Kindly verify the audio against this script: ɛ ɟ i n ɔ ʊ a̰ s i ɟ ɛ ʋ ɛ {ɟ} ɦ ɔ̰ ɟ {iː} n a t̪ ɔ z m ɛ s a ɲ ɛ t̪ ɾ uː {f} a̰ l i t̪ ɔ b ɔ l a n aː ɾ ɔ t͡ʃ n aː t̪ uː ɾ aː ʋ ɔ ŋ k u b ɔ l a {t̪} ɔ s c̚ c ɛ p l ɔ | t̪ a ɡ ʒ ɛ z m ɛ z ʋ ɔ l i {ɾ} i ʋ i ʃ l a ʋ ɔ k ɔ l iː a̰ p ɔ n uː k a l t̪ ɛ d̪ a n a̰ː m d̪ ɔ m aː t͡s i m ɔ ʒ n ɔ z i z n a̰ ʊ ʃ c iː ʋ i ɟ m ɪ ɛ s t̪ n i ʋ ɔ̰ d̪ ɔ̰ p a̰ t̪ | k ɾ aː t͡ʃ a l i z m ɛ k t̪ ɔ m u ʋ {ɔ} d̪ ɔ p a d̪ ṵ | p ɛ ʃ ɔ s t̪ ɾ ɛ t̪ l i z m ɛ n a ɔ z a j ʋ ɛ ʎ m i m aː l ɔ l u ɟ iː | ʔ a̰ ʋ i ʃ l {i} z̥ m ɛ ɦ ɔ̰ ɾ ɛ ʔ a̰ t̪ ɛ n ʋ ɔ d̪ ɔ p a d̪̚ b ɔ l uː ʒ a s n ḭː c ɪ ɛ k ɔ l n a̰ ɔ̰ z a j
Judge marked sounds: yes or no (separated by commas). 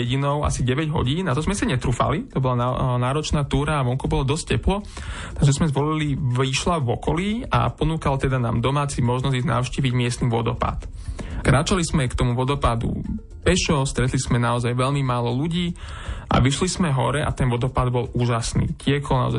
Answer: yes, yes, yes, no, no, yes, yes